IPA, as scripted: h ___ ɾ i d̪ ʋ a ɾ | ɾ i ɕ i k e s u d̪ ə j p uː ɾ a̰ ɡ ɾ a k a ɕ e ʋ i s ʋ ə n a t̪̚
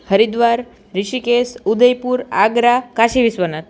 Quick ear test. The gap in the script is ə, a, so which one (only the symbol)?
ə